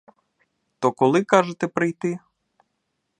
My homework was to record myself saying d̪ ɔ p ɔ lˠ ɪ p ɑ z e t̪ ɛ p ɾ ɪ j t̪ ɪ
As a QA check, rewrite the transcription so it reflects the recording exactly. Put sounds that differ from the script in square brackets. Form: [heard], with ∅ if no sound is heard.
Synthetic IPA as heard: [t̪] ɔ [k] ɔ lˠ ɪ [k] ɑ [ʒ] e t̪ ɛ p ɾ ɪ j t̪ ɪ

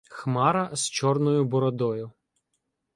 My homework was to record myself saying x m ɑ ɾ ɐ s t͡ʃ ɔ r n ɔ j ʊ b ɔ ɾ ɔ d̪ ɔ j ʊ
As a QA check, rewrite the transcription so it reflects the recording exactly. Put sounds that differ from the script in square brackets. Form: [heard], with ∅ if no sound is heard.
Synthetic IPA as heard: x m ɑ ɾ ɐ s t͡ʃ ɔ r n ɔ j ʊ b ɔ ɾ ɔ d̪ ɔ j ʊ

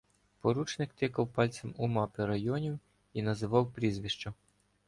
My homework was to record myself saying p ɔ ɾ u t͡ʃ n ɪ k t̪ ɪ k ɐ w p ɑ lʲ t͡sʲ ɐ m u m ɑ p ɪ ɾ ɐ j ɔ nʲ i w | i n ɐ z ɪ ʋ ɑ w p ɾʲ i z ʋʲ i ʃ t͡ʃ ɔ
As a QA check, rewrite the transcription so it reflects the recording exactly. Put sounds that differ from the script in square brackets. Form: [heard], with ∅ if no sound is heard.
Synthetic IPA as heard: p ɔ ɾ u t͡ʃ n ɪ k t̪ ɪ k ɐ w p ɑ lʲ t͡sʲ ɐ m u m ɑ p ɪ ɾ ɐ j ɔ nʲ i w | i n ɐ z ɪ ʋ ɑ w p ɾʲ i z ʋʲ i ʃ t͡ʃ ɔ

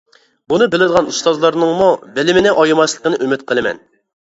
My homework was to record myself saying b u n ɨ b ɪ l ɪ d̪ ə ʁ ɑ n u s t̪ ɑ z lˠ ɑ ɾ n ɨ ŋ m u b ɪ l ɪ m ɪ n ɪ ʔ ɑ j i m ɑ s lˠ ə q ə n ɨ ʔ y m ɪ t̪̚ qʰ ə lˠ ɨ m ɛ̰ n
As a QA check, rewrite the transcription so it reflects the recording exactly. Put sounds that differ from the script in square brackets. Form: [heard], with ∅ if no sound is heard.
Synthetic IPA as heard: b u n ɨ b ɪ l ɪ d̪ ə ʁ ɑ n u s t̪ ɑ z lˠ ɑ ɾ n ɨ ŋ m u b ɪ l ɪ m ɪ n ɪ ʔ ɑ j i m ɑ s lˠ ə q ə n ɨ ʔ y m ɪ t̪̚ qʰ ə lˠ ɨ m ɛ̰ n

